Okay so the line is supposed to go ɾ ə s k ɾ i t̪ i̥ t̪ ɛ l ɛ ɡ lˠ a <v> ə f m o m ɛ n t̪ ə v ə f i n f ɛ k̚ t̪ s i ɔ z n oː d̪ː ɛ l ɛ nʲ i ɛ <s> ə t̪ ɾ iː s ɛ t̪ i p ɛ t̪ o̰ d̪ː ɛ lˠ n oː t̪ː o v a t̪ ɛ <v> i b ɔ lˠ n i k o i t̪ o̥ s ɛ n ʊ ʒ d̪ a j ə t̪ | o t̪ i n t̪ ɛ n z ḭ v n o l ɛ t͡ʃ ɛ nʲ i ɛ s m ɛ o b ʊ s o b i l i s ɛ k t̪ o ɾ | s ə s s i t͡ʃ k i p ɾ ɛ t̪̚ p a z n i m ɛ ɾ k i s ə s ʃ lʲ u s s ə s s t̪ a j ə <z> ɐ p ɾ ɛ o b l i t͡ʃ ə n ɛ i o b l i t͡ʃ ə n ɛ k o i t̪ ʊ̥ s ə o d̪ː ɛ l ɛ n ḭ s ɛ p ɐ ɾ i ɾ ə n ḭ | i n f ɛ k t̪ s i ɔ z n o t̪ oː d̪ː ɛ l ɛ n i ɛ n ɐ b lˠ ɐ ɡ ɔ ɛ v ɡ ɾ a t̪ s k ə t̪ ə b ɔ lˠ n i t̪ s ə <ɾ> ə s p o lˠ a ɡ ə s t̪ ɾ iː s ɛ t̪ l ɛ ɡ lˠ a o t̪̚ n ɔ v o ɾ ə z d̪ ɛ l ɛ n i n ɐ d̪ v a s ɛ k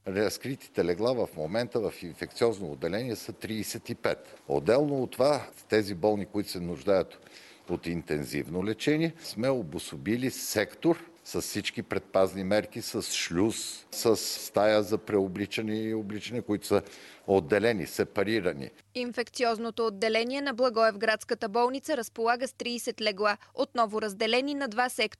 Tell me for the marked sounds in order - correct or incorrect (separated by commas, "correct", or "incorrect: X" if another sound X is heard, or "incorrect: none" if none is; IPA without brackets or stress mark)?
correct, correct, incorrect: z, correct, correct